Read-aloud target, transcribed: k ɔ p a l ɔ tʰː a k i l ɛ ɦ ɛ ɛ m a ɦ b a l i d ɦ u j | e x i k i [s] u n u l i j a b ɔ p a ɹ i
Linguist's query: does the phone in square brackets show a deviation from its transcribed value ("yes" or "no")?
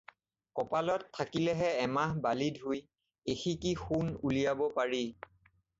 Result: yes